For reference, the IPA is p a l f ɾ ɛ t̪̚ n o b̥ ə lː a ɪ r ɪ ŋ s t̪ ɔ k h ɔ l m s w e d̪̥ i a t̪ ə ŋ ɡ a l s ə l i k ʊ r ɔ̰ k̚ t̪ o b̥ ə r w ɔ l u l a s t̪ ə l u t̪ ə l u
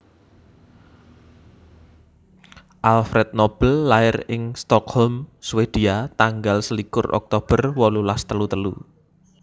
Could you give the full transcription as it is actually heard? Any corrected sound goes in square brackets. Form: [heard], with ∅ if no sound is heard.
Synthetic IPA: [ʔ] a l f ɾ ɛ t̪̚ n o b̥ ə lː a ɪ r ɪ ŋ s t̪ ɔ k h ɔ l m s w e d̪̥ i a t̪ [a] ŋ ɡ a l s ə l i k ʊ r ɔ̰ k̚ t̪ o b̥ ə r w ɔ l u l a s t̪ ə l u t̪ ə l u